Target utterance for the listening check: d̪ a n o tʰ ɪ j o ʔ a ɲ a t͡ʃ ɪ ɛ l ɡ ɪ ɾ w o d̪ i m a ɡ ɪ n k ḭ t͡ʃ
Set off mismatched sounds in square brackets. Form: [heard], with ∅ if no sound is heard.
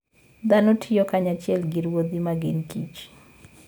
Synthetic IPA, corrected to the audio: d̪ a n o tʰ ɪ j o [k] a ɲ a t͡ʃ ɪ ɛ l ɡ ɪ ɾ w o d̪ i m a ɡ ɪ n k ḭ t͡ʃ